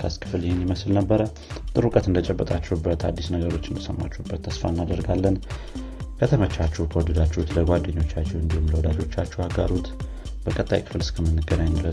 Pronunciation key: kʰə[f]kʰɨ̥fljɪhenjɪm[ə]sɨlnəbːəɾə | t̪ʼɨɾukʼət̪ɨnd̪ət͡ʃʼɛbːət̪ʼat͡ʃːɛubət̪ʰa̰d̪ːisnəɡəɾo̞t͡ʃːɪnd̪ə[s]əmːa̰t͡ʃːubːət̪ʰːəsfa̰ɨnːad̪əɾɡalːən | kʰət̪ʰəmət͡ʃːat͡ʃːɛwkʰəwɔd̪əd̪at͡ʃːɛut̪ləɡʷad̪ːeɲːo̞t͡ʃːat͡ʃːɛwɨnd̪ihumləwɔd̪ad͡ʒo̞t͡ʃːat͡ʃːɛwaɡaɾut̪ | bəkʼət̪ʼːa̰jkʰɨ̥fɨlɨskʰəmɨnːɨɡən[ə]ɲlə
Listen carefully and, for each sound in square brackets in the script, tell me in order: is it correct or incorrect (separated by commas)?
incorrect, correct, correct, incorrect